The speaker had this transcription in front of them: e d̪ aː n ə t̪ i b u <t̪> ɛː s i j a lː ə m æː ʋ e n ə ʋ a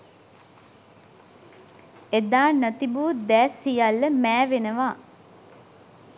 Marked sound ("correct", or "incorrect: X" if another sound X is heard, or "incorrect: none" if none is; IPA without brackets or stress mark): incorrect: d̪